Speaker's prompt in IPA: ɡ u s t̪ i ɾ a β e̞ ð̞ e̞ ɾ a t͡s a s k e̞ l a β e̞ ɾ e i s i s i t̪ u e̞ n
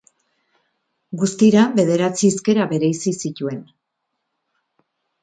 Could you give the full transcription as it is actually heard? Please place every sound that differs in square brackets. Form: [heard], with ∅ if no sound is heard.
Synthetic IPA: ɡ u s t̪ i ɾ a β e̞ ð̞ e̞ ɾ a t͡s [i] s k e̞ [ɾ] a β e̞ ɾ e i s i s i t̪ u e̞ n